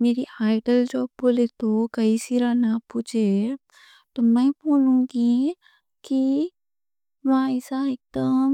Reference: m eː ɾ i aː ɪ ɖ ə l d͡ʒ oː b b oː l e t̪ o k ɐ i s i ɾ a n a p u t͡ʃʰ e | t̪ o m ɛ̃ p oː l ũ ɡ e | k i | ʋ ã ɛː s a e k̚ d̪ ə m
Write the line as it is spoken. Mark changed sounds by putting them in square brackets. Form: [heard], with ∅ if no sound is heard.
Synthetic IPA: m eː ɾ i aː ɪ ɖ ə l d͡ʒ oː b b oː l e t̪ o k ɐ i s i ɾ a n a p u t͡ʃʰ e | t̪ o m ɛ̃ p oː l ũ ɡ [i] | k i | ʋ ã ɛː s a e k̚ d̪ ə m

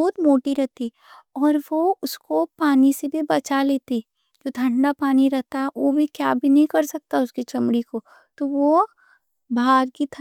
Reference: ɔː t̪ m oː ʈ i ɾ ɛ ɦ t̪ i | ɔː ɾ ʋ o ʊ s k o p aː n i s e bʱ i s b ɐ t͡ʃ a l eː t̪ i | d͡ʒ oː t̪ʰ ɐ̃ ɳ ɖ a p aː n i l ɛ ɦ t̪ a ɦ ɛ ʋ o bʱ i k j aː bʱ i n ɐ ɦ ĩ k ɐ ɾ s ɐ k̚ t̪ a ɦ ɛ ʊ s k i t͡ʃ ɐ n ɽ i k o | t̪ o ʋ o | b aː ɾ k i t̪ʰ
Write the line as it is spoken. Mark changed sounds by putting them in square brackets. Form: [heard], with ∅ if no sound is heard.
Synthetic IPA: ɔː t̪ m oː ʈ i ɾ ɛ ɦ t̪ i | ɔː ɾ ʋ o ʊ s k o p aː n i s e bʱ i [∅] b ɐ t͡ʃ a l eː t̪ i | d͡ʒ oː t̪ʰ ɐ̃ ɳ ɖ a p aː n i [ɾ] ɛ ɦ t̪ a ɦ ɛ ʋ o bʱ i k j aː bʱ i n ɐ ɦ ĩ k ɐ ɾ s ɐ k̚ t̪ a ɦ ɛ ʊ s k i t͡ʃ ɐ [m] ɽ i k o | t̪ o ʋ o | b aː ɾ k i t̪ʰ

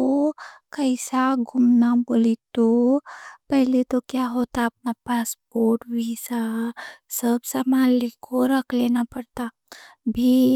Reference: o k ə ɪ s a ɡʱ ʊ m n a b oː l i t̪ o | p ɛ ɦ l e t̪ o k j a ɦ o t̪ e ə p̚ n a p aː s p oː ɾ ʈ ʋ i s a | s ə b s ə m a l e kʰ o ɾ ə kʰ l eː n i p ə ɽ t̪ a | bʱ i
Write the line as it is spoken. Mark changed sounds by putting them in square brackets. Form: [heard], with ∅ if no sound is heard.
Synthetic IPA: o k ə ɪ s a ɡʱ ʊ m n a b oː l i t̪ o | p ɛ ɦ l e t̪ o k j a ɦ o t̪ [a] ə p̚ n a p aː s p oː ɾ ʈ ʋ i s a | s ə b s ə m a l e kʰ o ɾ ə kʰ l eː n [a] p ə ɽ t̪ a | bʱ i

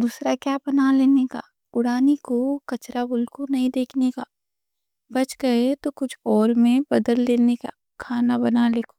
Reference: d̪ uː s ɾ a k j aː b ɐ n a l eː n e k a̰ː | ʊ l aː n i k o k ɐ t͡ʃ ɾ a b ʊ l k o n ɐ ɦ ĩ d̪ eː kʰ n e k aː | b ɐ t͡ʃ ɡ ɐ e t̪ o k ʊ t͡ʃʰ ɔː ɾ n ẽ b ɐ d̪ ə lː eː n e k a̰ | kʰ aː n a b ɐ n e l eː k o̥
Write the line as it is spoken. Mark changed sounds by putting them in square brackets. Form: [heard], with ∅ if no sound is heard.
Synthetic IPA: d̪ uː s ɾ a k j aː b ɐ n a l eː n e k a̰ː | ʊ [ɽ] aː n i k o k ɐ t͡ʃ ɾ a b ʊ l k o n ɐ ɦ ĩ d̪ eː kʰ n e k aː | b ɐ t͡ʃ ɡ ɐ e t̪ o k ʊ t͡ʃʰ ɔː ɾ [m] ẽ b ɐ d̪ ə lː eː n e k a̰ | kʰ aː n a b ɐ n [a] l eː k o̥

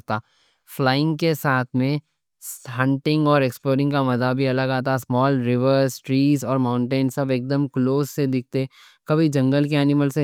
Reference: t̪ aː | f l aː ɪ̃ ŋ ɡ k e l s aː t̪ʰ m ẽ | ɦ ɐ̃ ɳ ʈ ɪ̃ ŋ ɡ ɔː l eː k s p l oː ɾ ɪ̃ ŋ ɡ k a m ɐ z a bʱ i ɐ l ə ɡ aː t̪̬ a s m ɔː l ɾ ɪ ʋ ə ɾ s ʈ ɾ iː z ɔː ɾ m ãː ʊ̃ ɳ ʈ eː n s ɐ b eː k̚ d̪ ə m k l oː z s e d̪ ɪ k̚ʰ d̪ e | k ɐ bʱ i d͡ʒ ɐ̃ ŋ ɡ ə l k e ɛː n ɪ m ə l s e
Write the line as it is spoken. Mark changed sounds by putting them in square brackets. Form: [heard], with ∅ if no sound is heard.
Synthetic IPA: t̪ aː | f l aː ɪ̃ ŋ ɡ k e [∅] s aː t̪ʰ m ẽ | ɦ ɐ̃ ɳ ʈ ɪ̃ ŋ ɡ ɔː [ɾ] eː k s p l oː ɾ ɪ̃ ŋ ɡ k a m ɐ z a bʱ i ɐ l ə ɡ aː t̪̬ a s m ɔː l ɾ ɪ ʋ ə ɾ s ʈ ɾ iː z ɔː ɾ m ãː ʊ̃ ɳ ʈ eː n s ɐ b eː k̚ d̪ ə m k l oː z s e d̪ ɪ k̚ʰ [t̪] e | k ɐ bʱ i d͡ʒ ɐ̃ ŋ ɡ ə l k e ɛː n ɪ m ə l s e

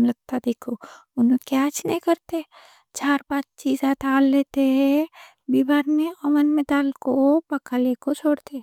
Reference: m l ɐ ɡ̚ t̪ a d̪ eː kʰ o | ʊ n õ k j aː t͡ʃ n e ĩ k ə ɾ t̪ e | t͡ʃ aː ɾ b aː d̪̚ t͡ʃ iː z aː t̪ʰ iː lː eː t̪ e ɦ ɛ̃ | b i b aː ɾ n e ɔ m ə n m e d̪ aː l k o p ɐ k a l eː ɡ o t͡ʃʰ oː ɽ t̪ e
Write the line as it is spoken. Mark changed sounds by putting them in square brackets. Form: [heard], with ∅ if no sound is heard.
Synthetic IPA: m l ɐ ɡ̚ t̪ a d̪ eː kʰ o | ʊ n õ k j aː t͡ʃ n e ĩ k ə ɾ t̪ e | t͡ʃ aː ɾ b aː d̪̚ t͡ʃ iː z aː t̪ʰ [aː] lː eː t̪ e ɦ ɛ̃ | b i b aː ɾ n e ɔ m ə n m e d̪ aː l k o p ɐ k a l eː [k] o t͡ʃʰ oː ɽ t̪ e

